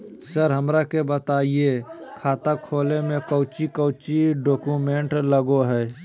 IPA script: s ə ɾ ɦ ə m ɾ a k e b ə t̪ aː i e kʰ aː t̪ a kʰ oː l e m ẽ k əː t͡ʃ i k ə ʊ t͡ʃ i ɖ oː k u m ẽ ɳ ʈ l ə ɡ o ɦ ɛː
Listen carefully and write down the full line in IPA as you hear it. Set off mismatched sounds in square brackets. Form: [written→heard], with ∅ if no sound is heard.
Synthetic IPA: s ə ɾ ɦ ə m ɾ a k e b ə t̪ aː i e kʰ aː t̪ a kʰ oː l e m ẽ k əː t͡ʃ i k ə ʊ t͡ʃ i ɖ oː k u m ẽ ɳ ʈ l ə ɡ o ɦ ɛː